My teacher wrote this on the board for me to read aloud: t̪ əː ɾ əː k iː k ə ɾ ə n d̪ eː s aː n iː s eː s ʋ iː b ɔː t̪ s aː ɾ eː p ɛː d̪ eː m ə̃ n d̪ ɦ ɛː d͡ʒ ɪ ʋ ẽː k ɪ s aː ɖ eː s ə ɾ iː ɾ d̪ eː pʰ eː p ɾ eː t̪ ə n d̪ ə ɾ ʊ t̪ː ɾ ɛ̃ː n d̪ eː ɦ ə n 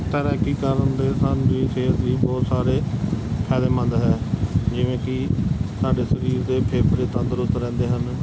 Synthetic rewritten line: t̪ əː ɾ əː k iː k ə ɾ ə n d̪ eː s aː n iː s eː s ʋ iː b ɔː t̪ s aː ɾ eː pʰ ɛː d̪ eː m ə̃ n d̪ ɦ ɛː d͡ʒ ɪ ʋ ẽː k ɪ s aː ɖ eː s ə ɾ iː ɾ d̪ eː pʰ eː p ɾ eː t̪ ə n d̪ ə ɾ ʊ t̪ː ɾ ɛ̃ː n d̪ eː ɦ ə n